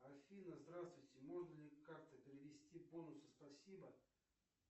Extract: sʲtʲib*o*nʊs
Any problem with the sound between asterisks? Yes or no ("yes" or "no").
no